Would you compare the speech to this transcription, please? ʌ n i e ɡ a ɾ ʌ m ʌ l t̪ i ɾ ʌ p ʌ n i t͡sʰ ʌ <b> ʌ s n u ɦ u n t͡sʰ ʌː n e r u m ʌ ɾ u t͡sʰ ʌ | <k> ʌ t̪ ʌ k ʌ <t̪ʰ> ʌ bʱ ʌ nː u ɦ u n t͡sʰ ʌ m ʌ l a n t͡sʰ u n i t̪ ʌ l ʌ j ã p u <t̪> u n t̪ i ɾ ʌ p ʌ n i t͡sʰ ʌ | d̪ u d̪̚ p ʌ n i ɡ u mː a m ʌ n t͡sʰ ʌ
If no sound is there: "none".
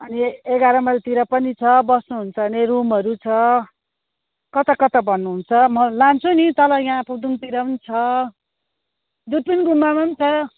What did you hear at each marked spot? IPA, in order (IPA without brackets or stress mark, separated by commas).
b, k, t̪, d̪